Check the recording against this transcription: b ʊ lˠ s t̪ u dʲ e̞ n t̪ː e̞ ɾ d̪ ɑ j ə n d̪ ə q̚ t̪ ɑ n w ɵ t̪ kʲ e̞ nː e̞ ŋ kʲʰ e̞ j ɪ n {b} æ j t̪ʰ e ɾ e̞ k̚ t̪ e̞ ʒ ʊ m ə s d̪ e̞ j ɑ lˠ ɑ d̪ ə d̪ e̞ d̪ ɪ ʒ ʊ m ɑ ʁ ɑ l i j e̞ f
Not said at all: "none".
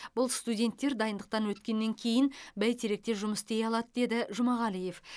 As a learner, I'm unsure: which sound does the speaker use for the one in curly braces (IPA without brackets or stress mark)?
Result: b